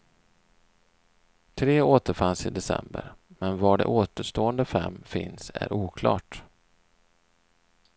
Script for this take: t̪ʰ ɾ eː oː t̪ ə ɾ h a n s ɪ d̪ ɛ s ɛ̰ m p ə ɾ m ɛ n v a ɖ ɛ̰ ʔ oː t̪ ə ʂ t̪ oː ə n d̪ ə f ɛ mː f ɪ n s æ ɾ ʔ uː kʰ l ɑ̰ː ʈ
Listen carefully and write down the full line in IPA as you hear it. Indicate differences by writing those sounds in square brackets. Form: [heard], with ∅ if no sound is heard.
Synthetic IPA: t̪ʰ ɾ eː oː t̪ ə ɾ [f] a n s ɪ d̪ ɛ s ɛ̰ m [b] ə ɾ m ɛ n v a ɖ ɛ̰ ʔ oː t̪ ə ʂ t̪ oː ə n d̪ ə f ɛ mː f ɪ n s æ ɾ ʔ uː kʰ l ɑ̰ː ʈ